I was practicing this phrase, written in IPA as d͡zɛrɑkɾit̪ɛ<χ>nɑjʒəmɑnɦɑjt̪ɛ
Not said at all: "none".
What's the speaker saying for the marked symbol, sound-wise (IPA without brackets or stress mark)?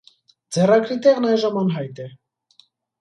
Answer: ʁ